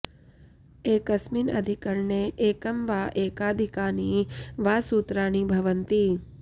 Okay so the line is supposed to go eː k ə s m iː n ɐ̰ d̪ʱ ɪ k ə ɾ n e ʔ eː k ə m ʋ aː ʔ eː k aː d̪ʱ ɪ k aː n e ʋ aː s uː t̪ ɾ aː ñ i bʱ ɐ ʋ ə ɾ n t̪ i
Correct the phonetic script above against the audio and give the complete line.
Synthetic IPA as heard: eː k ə s m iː n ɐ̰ d̪ʱ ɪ k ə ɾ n e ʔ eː k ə m ʋ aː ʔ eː k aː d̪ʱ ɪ k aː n i ʋ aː s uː t̪ ɾ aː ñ i bʱ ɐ ʋ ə n t̪ i